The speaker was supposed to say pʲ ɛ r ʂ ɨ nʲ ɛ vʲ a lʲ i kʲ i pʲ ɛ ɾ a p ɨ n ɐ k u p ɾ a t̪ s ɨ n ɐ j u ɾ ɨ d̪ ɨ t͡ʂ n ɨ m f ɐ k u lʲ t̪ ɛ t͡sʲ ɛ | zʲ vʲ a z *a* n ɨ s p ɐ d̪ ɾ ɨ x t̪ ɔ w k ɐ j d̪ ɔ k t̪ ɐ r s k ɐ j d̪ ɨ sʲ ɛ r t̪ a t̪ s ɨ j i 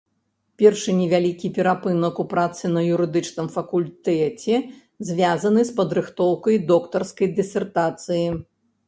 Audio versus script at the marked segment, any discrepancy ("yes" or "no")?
yes